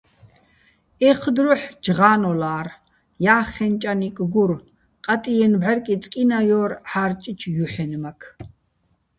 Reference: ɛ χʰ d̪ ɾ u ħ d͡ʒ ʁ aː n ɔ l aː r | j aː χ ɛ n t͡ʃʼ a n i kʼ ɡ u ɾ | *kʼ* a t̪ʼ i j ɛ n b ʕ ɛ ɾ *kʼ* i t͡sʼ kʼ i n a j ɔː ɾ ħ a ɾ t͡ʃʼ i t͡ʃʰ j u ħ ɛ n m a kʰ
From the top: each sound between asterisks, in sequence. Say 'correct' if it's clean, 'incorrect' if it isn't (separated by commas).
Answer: incorrect, correct